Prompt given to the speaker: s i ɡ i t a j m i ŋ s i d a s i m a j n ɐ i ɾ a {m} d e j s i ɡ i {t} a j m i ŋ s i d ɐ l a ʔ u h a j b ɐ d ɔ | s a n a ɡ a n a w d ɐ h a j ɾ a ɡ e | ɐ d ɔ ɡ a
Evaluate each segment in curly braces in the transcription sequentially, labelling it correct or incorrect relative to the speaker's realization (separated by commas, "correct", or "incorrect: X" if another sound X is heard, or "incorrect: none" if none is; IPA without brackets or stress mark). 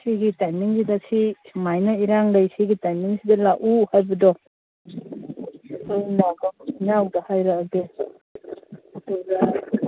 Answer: incorrect: ŋ, correct